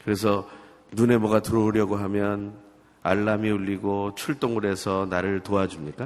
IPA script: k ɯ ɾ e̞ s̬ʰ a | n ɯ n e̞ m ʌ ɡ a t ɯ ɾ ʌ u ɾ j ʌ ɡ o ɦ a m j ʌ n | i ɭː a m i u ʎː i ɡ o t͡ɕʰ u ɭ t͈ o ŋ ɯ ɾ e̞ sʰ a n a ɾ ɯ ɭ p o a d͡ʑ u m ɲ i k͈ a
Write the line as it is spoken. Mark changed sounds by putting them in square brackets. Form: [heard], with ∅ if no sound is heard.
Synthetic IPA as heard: k ɯ ɾ e̞ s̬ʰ [ʌ] | n [u] n e̞ m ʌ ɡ a t ɯ ɾ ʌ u ɾ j ʌ ɡ o ɦ a m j ʌ n | [a] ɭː a m i u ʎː i ɡ o t͡ɕʰ u ɭ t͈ o ŋ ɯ ɾ e̞ sʰ [ʌ] n a ɾ ɯ ɭ [t] o a d͡ʑ u m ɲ i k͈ a